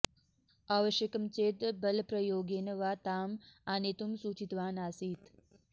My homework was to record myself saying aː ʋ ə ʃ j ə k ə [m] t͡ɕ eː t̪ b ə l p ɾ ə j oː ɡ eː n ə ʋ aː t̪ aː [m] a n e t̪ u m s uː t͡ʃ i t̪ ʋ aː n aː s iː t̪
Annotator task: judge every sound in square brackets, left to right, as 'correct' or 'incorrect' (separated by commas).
correct, correct